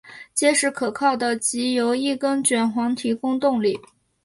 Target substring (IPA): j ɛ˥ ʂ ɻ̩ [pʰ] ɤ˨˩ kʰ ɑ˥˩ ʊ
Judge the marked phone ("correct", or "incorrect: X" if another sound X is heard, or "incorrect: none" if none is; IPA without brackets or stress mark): incorrect: kʰ